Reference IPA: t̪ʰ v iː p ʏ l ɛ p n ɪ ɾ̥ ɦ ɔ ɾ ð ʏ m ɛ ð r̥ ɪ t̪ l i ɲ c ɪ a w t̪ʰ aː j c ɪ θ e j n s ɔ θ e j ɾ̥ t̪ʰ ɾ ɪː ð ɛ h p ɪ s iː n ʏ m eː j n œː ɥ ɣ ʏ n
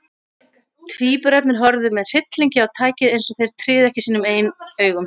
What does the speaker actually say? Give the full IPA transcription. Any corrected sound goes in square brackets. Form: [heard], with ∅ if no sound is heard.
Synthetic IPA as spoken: t̪ʰ v iː p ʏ [ɾ] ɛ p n ɪ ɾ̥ ɦ ɔ ɾ ð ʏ m ɛ ð r̥ ɪ t̪ l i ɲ c ɪ a w t̪ʰ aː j c ɪ [ð] e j n s ɔ θ e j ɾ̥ t̪ʰ ɾ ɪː ð ɛ h [c] ɪ s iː n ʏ m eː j n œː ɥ ɣ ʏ [m]